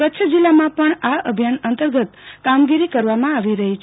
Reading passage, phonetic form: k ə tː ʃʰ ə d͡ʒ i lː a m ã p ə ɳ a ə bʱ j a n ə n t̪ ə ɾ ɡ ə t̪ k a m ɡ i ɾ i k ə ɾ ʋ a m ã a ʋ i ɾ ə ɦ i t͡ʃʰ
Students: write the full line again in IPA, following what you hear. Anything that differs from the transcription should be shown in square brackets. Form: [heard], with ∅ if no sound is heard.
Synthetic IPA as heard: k ə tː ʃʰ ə d͡ʒ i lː a m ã p ə ɳ a ə bʱ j a n ə n t̪ ə ɾ ɡ ə t̪ k a m ɡ i ɾ i k ə ɾ ʋ a m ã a ʋ i ɾ ə ɦ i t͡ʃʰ